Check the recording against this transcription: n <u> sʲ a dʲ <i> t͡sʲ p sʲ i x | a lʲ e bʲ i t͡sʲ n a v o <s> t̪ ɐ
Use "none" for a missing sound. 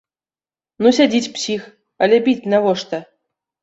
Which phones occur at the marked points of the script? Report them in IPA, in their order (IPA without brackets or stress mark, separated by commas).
u, i, ʂ